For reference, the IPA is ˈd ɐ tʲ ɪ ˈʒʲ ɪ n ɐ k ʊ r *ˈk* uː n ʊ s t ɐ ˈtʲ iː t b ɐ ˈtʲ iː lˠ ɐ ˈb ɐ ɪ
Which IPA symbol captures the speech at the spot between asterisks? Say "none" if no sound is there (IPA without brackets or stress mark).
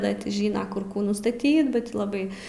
k